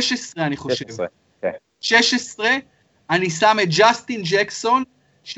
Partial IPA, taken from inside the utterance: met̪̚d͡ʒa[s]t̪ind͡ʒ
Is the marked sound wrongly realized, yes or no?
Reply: no